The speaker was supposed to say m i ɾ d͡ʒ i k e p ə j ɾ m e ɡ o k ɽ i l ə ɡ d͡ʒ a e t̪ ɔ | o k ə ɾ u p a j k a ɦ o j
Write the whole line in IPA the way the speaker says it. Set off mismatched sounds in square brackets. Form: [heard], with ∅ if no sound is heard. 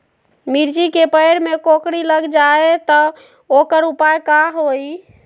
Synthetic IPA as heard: m i ɾ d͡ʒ i k e p ə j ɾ m e [k] o k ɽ i l ə ɡ d͡ʒ a e t̪ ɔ | o k ə ɾ u p a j k a ɦ o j